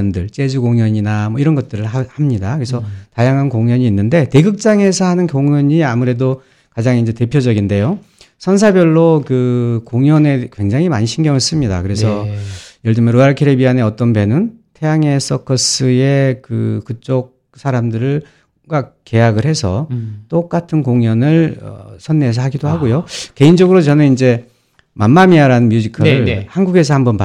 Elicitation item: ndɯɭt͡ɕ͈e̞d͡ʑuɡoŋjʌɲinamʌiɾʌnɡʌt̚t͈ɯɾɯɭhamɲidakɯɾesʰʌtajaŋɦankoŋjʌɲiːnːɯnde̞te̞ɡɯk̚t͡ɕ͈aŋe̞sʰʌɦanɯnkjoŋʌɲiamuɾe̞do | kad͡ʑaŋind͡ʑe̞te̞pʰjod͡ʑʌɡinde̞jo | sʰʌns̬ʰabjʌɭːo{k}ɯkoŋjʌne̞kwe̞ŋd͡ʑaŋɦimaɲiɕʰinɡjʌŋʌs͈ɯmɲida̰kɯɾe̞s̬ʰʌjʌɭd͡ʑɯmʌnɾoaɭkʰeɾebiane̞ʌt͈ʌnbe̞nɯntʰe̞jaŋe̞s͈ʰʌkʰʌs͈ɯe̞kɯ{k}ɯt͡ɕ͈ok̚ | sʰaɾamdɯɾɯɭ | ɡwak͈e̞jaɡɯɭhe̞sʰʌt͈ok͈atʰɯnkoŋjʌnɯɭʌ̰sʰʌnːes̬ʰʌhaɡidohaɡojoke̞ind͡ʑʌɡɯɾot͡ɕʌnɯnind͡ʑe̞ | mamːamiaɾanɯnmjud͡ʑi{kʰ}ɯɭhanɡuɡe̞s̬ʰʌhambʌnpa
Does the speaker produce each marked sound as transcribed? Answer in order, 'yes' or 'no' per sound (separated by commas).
yes, yes, yes